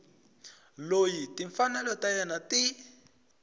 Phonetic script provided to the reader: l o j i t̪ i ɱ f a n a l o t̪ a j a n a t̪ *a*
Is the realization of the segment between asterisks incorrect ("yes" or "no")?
yes